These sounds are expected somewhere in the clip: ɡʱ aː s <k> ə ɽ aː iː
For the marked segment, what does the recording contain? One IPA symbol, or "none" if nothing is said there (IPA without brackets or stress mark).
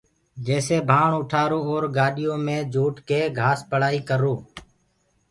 p